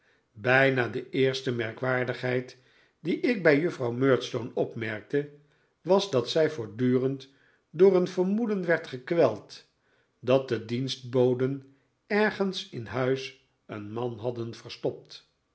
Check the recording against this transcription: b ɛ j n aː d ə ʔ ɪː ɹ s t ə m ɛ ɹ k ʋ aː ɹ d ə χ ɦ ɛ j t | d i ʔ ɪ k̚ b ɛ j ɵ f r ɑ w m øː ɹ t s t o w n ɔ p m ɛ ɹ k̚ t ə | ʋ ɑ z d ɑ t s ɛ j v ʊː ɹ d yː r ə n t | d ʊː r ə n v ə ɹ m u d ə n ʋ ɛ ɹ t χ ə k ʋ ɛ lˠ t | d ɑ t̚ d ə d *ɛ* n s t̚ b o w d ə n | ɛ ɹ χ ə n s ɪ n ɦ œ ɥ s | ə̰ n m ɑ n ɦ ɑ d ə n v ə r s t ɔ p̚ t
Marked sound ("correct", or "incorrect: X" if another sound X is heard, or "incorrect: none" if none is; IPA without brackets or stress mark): incorrect: i